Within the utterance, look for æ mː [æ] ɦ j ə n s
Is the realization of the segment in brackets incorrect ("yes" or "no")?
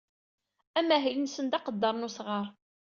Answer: no